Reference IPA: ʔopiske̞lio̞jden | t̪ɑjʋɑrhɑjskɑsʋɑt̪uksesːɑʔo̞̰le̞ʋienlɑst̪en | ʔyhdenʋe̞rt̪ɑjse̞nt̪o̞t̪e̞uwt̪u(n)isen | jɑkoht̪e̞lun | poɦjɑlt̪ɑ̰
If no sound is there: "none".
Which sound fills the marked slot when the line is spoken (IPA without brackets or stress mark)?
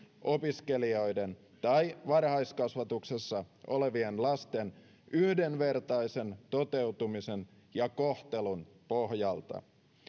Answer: m